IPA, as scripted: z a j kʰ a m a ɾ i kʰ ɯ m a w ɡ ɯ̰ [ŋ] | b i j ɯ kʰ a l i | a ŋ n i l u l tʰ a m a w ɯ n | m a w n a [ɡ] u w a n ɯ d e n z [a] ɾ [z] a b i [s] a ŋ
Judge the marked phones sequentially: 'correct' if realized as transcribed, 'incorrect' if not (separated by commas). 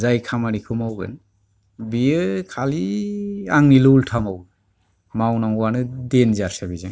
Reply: incorrect, incorrect, correct, incorrect, incorrect